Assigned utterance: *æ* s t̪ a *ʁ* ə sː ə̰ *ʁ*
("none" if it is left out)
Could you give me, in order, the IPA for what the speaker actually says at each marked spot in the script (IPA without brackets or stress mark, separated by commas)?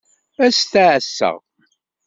æ, ʕ, ʁ